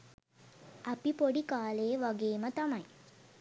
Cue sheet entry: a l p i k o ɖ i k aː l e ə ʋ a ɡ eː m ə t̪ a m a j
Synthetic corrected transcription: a p i p o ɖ i k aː l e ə ʋ a ɡ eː m ə t̪ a m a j